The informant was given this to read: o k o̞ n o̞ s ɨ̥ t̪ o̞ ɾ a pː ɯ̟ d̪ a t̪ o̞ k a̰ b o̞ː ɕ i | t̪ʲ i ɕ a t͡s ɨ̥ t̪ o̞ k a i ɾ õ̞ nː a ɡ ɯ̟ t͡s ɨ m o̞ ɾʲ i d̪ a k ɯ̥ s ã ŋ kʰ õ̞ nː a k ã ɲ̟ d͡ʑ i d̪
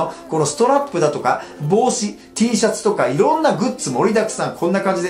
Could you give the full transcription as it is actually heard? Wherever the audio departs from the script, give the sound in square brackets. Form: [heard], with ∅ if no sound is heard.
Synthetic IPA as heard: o k o̞ n o̞ s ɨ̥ t̪ o̞ ɾ a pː ɯ̟ d̪ a t̪ o̞ k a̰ b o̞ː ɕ i | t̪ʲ [iː] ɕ a t͡s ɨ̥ t̪ o̞ k a i ɾ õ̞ nː a ɡ ɯ̟ t͡s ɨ m o̞ ɾʲ i d̪ a k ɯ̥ s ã ŋ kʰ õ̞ nː a k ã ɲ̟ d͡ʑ i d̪